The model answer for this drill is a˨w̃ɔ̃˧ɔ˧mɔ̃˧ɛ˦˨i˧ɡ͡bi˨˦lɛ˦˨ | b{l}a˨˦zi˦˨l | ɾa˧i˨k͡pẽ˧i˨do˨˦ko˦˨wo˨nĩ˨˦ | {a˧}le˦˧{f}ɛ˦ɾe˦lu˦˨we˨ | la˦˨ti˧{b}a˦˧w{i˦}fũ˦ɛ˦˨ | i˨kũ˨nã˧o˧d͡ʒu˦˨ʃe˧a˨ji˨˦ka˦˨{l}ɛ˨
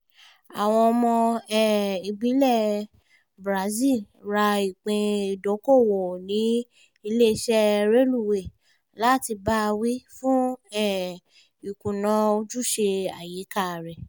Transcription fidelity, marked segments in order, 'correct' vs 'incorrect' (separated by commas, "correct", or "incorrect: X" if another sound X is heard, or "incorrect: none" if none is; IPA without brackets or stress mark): incorrect: ɾ, incorrect: i˧, incorrect: ʃ, correct, correct, incorrect: ɾ